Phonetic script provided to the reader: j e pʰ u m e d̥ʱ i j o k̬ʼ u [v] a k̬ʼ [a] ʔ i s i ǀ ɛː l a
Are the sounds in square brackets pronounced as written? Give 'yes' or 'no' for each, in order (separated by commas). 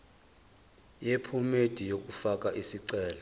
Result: no, yes